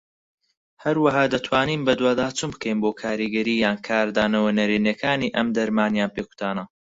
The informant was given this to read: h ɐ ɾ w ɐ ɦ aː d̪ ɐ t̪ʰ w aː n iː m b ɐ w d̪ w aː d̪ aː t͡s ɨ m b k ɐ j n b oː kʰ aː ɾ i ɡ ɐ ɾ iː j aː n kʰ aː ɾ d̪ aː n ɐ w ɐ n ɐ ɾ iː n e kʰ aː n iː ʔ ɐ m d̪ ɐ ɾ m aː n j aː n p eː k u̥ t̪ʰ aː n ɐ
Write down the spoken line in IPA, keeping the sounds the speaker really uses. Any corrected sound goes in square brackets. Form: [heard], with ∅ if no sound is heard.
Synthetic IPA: h ɐ ɾ w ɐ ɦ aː d̪ ɐ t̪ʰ w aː n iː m b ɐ [∅] d̪ w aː d̪ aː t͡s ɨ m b k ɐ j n b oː kʰ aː ɾ i ɡ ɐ ɾ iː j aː n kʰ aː ɾ d̪ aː n ɐ w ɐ n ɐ ɾ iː n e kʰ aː n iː ʔ ɐ m d̪ ɐ ɾ m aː n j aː n p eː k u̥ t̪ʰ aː n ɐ